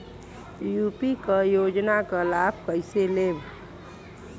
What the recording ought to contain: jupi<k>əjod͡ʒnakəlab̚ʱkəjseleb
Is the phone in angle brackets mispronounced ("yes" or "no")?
no